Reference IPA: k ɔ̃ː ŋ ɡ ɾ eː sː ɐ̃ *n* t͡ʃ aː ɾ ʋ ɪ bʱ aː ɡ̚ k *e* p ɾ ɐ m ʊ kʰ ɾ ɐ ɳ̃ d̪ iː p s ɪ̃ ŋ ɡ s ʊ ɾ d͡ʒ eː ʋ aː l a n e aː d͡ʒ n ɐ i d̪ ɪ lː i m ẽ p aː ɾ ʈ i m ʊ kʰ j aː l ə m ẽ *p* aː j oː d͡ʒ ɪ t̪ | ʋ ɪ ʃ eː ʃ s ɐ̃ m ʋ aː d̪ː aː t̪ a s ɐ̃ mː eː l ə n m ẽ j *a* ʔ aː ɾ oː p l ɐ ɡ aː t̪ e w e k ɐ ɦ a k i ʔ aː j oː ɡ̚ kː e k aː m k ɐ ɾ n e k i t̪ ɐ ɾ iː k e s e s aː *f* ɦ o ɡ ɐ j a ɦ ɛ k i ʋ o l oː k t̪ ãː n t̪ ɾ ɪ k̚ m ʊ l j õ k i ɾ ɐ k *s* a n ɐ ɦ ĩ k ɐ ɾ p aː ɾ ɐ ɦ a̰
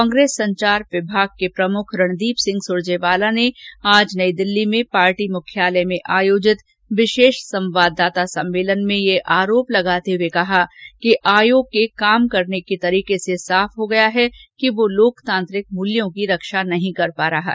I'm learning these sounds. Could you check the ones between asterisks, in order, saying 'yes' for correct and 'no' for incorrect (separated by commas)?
no, yes, no, no, yes, no